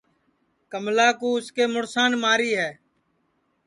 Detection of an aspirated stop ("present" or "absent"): absent